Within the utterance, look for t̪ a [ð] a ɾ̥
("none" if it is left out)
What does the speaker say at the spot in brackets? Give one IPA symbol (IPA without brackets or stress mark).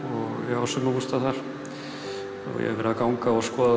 θ